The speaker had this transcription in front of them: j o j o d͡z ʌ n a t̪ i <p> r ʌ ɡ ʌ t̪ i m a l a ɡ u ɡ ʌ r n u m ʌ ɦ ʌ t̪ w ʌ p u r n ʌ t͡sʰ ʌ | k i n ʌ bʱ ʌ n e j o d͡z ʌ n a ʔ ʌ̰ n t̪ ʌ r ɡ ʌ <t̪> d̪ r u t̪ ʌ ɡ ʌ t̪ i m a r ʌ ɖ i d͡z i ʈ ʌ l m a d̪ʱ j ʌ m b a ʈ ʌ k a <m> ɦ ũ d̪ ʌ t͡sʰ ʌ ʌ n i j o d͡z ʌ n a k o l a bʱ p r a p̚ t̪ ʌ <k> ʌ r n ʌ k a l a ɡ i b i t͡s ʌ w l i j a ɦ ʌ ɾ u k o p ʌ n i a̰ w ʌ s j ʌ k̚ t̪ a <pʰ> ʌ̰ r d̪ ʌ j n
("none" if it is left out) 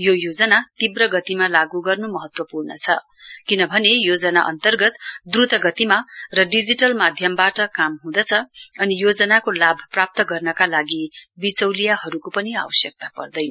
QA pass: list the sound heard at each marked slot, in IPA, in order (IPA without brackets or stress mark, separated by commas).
b, t̪, m, ɡ, p